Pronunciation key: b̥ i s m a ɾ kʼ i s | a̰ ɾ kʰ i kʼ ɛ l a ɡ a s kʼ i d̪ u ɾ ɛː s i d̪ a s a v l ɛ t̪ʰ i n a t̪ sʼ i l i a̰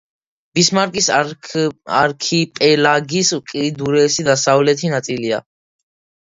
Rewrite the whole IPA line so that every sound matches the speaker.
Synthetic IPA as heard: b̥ i s m a ɾ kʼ i s | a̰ ɾ kʰ i pʼ ɛ l a ɡ i s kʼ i d̪ u ɾ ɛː s i d̪ a s a v l ɛ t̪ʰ i n a t̪ sʼ i l i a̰